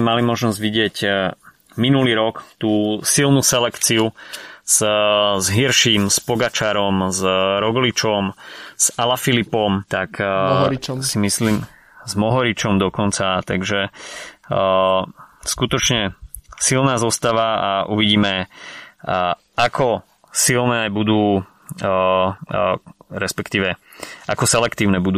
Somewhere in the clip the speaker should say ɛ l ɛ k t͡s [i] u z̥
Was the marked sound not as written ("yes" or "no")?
no